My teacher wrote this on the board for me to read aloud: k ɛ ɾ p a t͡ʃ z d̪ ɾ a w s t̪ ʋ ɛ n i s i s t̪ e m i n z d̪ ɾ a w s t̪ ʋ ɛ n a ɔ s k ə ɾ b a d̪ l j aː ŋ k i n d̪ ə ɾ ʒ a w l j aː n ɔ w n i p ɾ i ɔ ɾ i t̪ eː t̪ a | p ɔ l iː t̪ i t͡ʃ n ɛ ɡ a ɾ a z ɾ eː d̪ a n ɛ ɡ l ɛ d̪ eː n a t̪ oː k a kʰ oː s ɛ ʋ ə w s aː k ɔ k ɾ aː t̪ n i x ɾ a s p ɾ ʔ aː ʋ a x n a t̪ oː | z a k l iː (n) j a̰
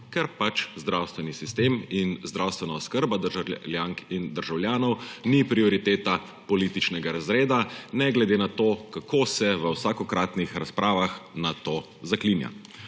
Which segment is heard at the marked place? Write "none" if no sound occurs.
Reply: n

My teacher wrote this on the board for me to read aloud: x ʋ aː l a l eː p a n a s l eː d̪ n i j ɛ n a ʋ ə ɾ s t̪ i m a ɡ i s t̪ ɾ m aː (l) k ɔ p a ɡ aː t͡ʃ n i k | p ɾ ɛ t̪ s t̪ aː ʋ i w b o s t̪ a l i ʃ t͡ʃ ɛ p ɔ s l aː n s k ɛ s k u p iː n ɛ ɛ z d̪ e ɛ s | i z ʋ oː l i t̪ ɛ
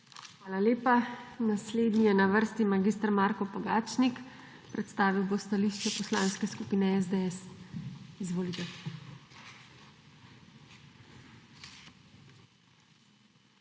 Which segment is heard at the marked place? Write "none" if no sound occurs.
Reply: ɾ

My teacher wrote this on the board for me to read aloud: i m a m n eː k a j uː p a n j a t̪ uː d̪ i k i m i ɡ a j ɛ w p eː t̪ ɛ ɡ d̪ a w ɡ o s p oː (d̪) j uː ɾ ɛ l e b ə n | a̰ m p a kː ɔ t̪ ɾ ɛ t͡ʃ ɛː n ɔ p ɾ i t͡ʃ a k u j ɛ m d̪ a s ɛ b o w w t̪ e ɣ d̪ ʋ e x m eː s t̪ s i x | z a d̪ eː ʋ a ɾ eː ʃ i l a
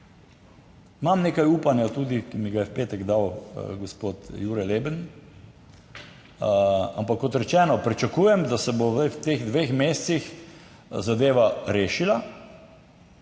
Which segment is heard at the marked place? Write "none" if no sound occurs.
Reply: t̪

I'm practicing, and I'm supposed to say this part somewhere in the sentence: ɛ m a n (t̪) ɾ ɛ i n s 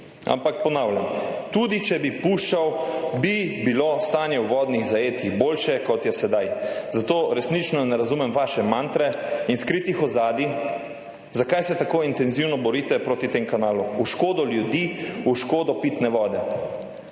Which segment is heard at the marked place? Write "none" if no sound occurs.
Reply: t̪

